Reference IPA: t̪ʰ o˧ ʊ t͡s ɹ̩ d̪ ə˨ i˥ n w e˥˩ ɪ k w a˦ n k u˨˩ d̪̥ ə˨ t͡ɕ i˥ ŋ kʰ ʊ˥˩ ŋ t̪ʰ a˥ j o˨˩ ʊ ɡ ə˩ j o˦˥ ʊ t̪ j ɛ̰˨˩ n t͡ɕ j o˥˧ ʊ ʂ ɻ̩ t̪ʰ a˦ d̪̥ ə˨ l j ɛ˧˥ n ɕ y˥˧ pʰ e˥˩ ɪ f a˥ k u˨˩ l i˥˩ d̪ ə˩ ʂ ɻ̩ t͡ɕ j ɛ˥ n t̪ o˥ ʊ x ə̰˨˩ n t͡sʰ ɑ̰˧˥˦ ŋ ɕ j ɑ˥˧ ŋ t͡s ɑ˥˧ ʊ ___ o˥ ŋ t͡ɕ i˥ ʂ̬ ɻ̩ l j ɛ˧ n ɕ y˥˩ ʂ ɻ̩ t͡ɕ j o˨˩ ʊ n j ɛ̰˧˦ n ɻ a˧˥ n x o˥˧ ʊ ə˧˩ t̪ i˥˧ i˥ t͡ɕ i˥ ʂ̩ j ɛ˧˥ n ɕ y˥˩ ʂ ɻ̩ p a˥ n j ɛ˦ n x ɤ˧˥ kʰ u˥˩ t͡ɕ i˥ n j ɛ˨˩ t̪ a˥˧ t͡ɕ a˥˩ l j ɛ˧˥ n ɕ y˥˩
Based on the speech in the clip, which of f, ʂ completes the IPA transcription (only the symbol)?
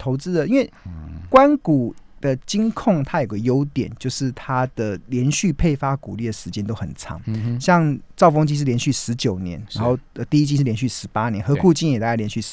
f